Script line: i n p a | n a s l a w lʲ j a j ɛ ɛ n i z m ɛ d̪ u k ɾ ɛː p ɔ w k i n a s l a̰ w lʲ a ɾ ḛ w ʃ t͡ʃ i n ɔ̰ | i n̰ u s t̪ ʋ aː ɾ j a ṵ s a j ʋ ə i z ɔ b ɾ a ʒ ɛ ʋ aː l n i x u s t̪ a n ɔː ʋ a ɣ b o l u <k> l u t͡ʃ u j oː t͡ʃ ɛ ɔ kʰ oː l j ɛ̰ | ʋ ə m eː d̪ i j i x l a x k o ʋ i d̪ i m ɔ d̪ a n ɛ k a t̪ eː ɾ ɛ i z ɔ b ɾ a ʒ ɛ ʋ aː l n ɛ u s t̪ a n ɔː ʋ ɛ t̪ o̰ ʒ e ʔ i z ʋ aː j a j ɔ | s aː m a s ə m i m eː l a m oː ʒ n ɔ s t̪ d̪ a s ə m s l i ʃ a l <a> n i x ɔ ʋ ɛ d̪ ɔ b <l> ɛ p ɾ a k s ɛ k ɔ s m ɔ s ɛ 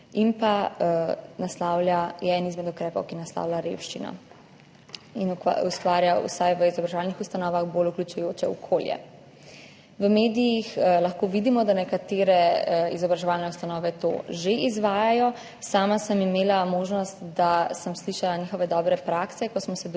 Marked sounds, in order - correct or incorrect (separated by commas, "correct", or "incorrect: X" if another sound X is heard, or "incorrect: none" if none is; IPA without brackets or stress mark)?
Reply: correct, correct, incorrect: ɾ